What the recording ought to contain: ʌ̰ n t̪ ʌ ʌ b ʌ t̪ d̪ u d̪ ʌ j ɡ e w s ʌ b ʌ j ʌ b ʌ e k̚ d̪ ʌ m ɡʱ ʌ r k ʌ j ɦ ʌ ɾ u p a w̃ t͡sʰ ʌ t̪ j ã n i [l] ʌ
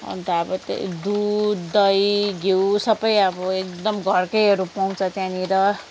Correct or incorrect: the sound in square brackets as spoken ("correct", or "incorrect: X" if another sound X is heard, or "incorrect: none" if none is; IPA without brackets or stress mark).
incorrect: ɾ